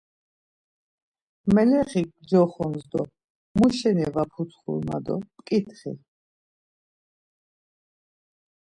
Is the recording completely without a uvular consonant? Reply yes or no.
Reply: no